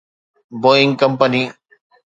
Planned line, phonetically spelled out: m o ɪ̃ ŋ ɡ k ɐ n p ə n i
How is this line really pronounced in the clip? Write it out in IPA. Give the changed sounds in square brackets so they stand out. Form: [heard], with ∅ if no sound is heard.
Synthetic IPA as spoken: [b] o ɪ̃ ŋ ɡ k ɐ [m] p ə n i